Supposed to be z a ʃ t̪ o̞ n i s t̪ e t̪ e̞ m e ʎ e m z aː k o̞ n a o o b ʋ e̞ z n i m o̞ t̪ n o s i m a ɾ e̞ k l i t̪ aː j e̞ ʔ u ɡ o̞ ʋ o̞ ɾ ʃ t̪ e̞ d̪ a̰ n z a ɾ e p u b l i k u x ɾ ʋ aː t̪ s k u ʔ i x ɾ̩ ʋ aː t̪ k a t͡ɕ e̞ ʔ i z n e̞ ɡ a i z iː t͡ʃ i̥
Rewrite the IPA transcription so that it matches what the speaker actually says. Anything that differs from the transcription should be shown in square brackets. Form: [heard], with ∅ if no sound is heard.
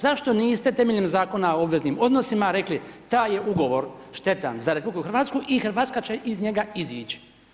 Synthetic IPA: z a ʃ t̪ o̞ n [iː] s t̪ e t̪ e̞ m e ʎ e m z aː k o̞ n a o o b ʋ e̞ z n i m o̞ [d̪] n o s i m a ɾ e̞ k l i t̪ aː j e̞ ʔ u ɡ o̞ ʋ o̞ ɾ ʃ t̪ e̞ [t̪] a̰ n z a ɾ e p u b l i k u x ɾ ʋ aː t̪ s k u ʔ i x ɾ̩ ʋ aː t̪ k a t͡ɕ e̞ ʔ i z [ɲ] e̞ ɡ a i z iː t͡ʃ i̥